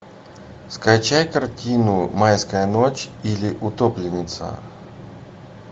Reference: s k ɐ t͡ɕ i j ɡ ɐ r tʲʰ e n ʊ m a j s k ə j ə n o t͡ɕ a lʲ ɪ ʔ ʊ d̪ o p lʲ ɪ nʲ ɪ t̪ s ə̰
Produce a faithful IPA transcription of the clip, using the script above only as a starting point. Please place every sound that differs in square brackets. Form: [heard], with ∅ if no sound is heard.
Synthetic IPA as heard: s k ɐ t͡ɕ [a] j [k] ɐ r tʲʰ [i] n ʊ m a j s k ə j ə n o t͡ɕ [i] lʲ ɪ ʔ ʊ [t̪] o p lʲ ɪ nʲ ɪ t̪ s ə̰